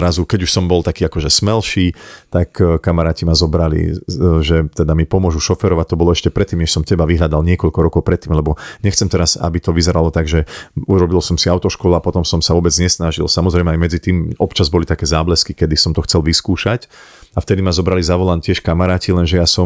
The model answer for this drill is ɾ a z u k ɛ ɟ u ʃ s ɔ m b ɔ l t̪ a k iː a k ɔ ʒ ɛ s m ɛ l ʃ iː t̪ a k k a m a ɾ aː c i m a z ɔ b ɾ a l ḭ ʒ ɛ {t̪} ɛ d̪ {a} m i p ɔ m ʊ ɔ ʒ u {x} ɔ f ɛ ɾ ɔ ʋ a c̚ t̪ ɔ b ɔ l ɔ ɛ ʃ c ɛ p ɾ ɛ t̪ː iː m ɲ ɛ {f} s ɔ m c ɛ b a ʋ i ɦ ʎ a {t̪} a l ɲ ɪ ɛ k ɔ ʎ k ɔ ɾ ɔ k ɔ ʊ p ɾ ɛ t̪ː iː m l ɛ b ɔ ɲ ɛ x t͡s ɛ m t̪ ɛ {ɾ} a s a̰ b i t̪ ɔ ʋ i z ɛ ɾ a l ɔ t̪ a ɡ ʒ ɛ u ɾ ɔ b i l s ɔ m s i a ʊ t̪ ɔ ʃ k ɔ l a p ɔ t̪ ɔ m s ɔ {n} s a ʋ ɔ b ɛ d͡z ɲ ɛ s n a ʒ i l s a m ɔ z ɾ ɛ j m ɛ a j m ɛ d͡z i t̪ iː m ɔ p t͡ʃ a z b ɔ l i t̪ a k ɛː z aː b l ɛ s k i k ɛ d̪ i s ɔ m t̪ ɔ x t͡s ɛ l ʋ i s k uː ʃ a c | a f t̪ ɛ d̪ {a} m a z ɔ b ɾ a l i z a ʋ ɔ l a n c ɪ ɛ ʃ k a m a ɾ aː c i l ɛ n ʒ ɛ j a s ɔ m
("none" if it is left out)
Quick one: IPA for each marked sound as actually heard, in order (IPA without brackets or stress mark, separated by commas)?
t̪, a, ʃ, ʃ, d̪, ɾ, m, i